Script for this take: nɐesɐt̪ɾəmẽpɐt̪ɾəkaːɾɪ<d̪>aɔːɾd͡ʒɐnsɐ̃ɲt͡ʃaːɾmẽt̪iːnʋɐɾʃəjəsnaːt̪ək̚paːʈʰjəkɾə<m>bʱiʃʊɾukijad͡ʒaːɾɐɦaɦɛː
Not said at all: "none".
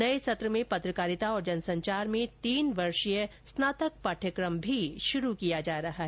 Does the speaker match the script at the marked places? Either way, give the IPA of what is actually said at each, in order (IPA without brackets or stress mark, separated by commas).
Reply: t̪, m